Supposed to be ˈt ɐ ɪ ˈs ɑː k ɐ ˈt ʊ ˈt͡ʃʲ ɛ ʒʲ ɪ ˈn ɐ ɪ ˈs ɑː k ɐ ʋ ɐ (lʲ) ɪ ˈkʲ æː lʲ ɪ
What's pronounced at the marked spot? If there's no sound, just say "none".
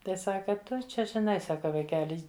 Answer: none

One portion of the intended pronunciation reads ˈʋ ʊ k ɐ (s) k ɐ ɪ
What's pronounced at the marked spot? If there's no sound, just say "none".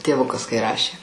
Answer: s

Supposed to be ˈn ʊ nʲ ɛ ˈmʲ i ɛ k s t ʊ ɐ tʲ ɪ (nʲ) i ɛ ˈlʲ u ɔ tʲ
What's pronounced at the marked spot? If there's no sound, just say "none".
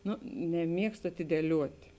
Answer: dʲ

